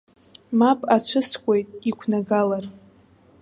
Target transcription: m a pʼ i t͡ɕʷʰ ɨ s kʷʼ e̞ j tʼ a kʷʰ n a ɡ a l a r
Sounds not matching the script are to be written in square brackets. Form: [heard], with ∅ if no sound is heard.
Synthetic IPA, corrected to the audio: m a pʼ [a] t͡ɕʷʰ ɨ s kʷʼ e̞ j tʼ [i] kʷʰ n a ɡ a l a r